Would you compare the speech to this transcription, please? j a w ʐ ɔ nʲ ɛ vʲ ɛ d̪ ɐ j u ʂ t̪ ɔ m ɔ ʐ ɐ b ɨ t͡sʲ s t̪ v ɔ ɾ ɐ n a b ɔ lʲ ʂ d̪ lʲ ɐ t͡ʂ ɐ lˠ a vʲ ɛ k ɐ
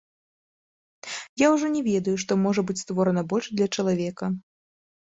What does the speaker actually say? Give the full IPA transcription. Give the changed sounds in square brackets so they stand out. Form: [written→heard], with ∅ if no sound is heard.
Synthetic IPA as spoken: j a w ʐ ɔ nʲ ɛ vʲ ɛ d̪ ɐ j u ʂ t̪ ɔ m ɔ ʐ ɐ b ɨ t͡sʲ s t̪ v ɔ ɾ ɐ n [a→ɐ] b ɔ lʲ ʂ d̪ lʲ ɐ t͡ʂ ɐ lˠ a vʲ ɛ k ɐ

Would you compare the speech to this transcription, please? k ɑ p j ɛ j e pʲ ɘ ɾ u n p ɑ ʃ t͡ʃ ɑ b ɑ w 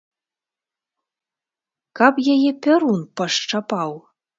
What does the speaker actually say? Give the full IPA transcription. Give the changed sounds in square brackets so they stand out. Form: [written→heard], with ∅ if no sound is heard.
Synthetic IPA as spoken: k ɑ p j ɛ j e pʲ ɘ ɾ u n p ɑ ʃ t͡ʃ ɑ [b→p] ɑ w

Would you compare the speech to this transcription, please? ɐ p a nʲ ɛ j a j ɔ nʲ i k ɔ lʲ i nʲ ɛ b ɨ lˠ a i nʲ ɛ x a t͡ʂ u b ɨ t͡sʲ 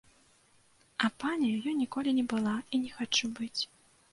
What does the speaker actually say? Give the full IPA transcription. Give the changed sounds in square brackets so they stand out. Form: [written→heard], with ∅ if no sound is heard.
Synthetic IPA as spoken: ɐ p a nʲ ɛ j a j ɔ nʲ i k ɔ lʲ i nʲ ɛ b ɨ lˠ a i nʲ ɛ x a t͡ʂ u b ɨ t͡sʲ

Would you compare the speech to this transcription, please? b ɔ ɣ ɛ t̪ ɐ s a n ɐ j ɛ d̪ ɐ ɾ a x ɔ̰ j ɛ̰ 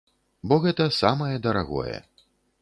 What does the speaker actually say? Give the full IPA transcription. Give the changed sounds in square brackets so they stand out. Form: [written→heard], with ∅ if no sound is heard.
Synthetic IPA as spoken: b ɔ ɣ ɛ t̪ ɐ s a [n→m] ɐ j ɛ d̪ ɐ ɾ a [x→ɣ] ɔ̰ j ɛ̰

